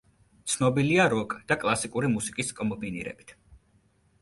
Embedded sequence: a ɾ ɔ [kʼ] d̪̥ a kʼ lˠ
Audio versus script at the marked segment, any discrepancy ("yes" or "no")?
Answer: no